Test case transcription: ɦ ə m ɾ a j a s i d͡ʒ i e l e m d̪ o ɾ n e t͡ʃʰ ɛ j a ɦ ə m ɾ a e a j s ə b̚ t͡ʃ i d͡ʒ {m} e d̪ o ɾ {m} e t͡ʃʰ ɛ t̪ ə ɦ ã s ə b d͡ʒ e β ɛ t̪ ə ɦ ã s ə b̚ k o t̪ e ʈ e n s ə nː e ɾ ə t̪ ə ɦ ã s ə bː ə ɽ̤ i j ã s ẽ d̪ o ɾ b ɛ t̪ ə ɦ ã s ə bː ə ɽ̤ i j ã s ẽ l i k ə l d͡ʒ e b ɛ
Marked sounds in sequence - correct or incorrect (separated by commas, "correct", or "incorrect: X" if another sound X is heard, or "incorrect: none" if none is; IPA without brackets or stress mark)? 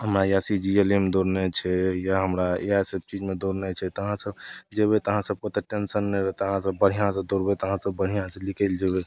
correct, incorrect: n